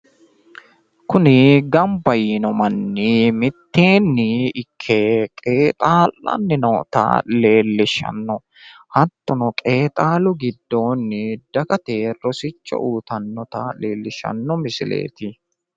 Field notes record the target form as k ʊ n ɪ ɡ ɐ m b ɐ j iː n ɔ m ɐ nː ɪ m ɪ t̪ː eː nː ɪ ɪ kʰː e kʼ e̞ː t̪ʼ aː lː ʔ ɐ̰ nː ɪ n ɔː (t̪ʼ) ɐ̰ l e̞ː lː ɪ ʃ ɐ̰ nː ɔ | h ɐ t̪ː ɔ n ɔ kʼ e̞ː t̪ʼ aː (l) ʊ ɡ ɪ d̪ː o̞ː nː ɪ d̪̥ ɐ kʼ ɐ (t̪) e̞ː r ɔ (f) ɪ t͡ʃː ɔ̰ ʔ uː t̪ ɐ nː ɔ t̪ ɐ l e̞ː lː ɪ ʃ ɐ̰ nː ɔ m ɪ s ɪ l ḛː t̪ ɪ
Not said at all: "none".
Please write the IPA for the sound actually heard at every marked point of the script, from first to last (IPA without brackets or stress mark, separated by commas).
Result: t̪, l, t̪, s